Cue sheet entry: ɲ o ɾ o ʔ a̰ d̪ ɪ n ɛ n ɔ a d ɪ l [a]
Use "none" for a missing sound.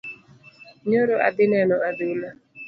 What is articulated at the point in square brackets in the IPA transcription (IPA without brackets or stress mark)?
a